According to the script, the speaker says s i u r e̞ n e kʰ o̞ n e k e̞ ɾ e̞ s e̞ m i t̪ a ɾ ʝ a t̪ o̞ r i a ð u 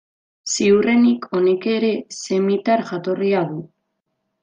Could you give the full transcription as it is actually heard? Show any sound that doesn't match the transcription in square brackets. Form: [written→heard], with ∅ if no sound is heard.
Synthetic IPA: s i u r e̞ n [e→i] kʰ o̞ n e k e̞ ɾ e̞ s e̞ m i t̪ a ɾ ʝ a t̪ o̞ r i a ð u